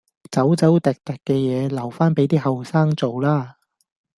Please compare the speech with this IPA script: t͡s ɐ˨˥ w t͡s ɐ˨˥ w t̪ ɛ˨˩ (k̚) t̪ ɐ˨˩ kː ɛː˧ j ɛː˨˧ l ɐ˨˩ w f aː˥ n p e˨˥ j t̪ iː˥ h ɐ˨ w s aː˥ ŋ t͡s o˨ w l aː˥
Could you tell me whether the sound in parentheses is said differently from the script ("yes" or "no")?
no